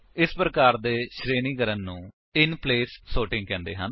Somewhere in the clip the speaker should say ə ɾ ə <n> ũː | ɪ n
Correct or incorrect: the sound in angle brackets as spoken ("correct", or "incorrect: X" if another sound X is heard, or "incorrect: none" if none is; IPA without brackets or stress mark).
incorrect: nː